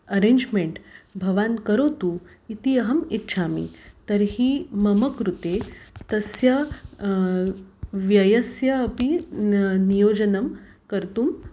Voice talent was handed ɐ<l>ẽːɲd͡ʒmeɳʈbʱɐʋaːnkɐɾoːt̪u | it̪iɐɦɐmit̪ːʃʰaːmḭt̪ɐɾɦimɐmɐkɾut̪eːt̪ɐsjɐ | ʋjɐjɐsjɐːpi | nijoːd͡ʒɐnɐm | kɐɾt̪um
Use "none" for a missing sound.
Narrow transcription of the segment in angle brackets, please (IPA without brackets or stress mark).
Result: ɾ